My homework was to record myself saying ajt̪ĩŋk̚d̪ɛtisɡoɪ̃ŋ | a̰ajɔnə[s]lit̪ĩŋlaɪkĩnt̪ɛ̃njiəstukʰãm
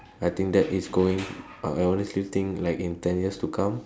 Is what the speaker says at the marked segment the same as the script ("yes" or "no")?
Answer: yes